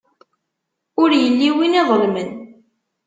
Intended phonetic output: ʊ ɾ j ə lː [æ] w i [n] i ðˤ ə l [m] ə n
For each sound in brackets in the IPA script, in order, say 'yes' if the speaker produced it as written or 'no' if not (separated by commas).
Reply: no, yes, yes